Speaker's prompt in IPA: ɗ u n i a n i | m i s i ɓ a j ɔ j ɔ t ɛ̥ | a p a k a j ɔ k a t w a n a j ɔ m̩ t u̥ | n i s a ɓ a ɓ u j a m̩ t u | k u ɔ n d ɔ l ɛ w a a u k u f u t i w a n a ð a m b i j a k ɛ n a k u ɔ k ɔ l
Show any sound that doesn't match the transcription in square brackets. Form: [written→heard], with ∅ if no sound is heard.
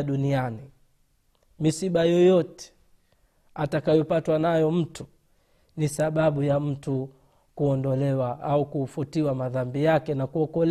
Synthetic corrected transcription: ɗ u n i a n i | m i s i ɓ a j ɔ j ɔ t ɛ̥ | a [p→t] a k a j ɔ [k→p] a t w a n a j ɔ m̩ t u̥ | n i s a ɓ a ɓ u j a m̩ t u | k u ɔ n d ɔ l ɛ w a a u k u f u t i w a [n→m] a ð a m b i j a k ɛ n a k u ɔ k ɔ l